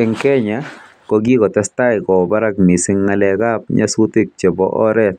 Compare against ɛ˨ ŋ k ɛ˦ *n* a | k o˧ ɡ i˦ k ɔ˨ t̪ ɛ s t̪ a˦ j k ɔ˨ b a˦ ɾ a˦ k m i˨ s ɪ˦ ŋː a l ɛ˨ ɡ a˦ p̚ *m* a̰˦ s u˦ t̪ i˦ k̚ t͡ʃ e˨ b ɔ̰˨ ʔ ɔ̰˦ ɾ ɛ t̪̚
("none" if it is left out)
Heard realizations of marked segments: ɲ, ɲ

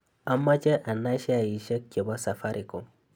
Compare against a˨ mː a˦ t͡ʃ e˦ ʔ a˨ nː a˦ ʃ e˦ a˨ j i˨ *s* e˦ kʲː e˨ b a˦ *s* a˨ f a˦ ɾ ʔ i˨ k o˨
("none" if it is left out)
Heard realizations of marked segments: ʃ, s

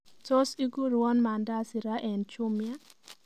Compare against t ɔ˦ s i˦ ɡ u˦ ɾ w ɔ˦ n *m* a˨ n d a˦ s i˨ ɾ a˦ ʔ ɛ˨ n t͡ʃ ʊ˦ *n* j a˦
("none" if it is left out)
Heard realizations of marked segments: m, m

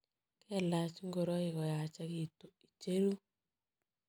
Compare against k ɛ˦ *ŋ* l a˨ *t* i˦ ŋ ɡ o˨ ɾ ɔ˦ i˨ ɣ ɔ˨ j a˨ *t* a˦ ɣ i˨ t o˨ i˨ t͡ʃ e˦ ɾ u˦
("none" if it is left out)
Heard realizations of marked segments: none, t͡ʃ, t͡ʃ

